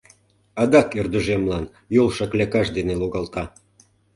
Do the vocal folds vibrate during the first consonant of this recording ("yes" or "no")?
yes